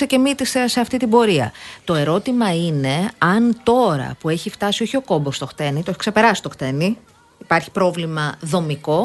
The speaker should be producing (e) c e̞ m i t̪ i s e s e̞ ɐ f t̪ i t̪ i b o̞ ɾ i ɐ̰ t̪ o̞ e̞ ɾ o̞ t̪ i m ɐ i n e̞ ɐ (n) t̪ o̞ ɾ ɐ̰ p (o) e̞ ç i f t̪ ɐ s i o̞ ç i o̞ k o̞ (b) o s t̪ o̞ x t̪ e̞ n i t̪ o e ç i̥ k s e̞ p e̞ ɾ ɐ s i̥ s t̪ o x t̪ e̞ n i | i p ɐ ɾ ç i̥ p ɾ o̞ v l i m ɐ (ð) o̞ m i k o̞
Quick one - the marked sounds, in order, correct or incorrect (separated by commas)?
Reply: correct, correct, incorrect, correct, correct